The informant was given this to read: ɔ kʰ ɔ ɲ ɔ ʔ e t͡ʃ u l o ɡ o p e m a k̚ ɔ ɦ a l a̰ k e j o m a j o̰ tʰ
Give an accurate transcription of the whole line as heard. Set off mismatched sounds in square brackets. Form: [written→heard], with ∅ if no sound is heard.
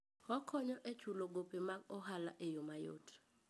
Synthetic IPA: ɔ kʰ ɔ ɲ ɔ ʔ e t͡ʃ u l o ɡ o p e m a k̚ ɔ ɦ a l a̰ [k→ʔ] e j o m a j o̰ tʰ